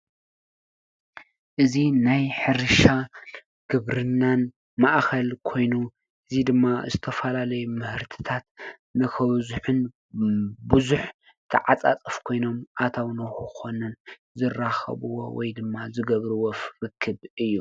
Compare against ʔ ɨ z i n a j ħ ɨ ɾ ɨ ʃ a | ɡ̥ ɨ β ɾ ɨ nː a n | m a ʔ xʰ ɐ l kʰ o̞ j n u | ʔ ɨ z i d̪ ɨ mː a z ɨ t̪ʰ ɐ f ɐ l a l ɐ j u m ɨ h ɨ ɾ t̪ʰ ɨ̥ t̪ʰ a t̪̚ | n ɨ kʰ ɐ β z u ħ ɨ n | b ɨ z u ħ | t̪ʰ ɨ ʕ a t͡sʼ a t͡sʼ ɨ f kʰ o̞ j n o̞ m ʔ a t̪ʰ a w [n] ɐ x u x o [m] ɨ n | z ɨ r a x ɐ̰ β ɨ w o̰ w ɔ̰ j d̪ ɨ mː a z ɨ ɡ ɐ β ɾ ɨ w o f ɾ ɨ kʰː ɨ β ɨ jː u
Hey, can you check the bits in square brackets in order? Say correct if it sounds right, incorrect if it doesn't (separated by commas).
correct, incorrect